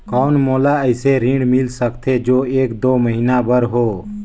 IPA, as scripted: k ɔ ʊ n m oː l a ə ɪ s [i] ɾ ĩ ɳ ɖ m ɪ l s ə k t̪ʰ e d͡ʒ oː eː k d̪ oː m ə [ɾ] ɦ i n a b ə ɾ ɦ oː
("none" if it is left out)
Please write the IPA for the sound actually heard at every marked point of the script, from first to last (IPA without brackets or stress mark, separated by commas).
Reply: e, none